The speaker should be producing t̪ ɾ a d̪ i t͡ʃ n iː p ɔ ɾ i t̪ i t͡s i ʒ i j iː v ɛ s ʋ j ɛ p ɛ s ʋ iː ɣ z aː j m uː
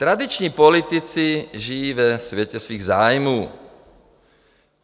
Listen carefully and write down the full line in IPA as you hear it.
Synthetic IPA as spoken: t̪ ɾ a d̪ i t͡ʃ ɲ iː p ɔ l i t̪ i t͡s i ʒ i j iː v ɛ s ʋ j ɛ c ɛ s ʋ iː ɣ z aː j m uː